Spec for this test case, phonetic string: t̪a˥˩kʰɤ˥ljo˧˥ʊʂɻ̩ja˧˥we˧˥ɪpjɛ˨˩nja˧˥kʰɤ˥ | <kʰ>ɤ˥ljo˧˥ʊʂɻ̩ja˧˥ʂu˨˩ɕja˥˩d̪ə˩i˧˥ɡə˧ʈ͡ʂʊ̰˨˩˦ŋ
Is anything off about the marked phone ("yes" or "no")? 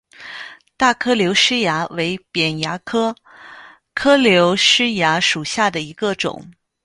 no